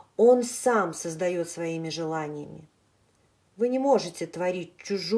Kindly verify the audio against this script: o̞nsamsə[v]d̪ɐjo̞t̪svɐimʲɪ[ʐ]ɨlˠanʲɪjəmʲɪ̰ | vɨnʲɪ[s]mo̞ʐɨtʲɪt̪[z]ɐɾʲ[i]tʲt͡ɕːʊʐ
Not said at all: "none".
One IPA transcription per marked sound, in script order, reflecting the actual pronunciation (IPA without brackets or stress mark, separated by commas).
z, ʐ, none, v, i